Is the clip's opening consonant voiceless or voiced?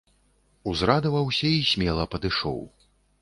voiced